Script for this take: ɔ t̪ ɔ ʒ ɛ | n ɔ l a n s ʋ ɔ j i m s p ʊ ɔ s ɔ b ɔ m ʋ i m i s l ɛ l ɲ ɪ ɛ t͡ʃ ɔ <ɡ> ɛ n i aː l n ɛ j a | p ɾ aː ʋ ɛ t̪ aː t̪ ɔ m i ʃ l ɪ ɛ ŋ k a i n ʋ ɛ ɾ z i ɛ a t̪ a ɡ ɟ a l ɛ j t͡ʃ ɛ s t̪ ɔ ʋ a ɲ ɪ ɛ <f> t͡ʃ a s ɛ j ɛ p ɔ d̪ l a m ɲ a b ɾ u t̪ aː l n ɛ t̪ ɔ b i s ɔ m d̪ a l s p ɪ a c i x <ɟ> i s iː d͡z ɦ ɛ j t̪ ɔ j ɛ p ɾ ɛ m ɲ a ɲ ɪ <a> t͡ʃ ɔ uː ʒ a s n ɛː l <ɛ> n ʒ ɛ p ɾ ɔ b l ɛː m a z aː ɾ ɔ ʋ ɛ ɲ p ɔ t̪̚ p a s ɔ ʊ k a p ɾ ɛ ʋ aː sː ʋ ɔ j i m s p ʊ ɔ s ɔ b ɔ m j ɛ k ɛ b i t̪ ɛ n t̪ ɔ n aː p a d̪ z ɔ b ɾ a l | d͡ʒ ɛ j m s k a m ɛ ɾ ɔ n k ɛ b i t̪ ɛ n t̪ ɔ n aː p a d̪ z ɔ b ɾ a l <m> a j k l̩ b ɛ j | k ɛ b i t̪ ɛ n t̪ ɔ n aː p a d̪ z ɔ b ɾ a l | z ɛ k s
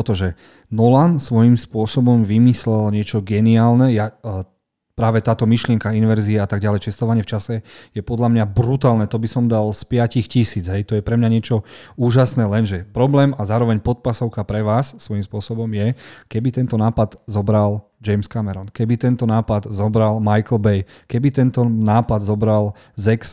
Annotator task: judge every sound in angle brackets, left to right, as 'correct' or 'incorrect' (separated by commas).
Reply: correct, correct, incorrect, incorrect, correct, correct